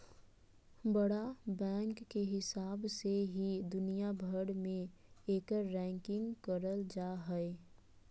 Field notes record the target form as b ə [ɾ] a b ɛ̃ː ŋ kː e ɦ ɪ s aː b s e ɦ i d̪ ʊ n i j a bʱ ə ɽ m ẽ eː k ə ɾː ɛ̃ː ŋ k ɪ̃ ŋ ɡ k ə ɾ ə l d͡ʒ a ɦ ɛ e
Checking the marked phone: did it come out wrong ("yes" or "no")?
yes